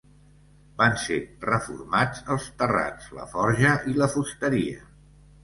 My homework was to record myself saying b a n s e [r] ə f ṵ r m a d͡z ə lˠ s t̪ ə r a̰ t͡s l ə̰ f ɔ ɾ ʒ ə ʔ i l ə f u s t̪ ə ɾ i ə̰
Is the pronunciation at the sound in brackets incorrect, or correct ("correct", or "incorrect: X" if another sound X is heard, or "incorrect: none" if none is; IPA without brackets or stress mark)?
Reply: correct